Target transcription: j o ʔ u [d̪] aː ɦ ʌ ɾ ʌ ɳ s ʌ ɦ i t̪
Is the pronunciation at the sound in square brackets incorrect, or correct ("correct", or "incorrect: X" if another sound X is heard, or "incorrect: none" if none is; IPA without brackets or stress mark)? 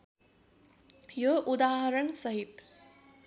correct